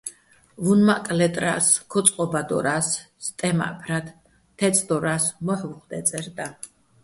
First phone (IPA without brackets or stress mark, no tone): v